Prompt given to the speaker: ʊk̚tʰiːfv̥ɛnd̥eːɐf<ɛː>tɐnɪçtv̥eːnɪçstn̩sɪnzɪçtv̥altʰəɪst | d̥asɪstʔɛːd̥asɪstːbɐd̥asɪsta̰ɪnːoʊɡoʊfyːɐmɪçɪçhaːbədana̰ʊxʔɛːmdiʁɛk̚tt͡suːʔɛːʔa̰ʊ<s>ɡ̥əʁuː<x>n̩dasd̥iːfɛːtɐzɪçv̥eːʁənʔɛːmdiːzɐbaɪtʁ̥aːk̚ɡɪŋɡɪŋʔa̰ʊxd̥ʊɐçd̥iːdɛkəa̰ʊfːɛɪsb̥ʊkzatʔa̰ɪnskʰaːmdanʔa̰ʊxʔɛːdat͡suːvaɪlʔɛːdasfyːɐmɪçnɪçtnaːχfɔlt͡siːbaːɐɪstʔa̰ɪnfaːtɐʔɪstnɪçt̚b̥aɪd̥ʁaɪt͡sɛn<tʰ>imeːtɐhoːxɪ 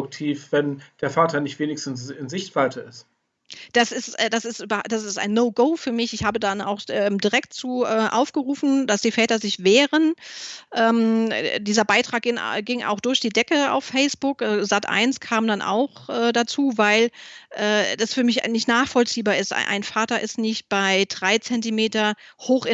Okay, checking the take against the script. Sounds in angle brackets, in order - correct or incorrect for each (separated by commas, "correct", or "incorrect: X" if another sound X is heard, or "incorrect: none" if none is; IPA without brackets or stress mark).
incorrect: aː, incorrect: f, incorrect: f, incorrect: t